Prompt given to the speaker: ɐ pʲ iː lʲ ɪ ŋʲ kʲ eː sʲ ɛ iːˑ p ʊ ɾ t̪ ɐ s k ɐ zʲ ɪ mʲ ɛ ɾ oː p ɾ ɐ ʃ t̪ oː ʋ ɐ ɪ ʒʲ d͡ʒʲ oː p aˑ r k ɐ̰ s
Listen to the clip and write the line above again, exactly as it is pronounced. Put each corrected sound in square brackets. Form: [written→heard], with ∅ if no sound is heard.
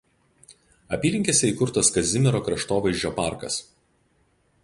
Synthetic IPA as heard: ɐ pʲ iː lʲ ɪ ŋʲ kʲ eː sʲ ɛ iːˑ [p→k] ʊ ɾ t̪ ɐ s k ɐ zʲ ɪ mʲ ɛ ɾ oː [p→k] ɾ ɐ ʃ t̪ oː ʋ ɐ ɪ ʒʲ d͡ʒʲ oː p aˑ [r→ɾ] k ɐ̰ s

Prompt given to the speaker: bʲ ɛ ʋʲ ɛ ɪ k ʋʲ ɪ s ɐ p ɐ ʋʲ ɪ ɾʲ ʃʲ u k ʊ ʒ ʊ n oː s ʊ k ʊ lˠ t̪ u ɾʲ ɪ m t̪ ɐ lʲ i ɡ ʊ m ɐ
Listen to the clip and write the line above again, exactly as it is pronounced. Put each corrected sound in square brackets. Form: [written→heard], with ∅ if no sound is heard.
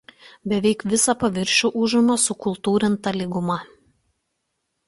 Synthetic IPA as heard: bʲ ɛ ʋʲ ɛ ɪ k ʋʲ ɪ s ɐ p ɐ ʋʲ ɪ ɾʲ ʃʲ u [k→ʔ] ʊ ʒ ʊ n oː s ʊ k ʊ lˠ t̪ [u→uː] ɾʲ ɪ [m→n] t̪ ɐ lʲ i ɡ ʊ m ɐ

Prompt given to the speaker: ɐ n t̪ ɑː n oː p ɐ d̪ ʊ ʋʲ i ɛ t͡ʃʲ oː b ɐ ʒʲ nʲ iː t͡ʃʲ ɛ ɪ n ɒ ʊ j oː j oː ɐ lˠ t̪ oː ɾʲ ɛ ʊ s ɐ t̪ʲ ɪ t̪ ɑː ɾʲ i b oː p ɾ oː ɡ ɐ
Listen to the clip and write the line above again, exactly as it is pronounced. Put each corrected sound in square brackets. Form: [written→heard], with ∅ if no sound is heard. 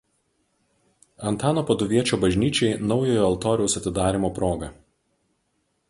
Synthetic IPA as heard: ɐ n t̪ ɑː n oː p ɐ d̪ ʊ ʋʲ i ɛ t͡ʃʲ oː b ɐ ʒʲ nʲ iː t͡ʃʲ ɛ ɪ n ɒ ʊ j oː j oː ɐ lˠ t̪ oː ɾʲ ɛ ʊ s ɐ t̪ʲ ɪ [t̪→d̪] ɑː ɾʲ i [b→m] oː p ɾ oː ɡ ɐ

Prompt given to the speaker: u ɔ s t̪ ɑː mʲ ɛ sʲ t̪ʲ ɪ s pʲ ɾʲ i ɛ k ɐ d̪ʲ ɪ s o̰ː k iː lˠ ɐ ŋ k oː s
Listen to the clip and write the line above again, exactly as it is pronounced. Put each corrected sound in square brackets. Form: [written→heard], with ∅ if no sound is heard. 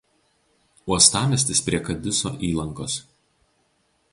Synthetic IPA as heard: u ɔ s t̪ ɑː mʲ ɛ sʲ t̪ʲ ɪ s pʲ ɾʲ i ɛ k ɐ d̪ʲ ɪ s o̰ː [k→ʔ] iː lˠ ɐ ŋ k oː s

